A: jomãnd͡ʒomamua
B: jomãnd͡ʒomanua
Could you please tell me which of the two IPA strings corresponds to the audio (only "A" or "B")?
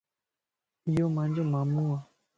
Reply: A